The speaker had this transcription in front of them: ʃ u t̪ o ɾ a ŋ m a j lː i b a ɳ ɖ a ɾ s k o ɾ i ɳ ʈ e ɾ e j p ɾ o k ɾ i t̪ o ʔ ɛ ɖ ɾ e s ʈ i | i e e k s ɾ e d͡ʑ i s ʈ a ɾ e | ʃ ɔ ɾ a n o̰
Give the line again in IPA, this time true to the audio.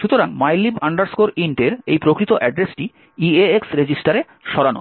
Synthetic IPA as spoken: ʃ u t̪ o ɾ a ŋ m a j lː i b a ɳ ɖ a ɾ s k o ɾ i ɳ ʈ e ɾ e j p ɾ o k ɾ i t̪ o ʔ ɛ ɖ ɾ e s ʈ i | i e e k s ɾ e d͡ʑ i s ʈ a ɾ e | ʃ ɔ ɾ a n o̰